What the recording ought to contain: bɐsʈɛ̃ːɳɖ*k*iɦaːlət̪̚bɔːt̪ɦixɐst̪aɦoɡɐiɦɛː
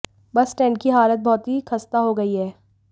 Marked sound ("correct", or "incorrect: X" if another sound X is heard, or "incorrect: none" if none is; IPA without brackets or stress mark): correct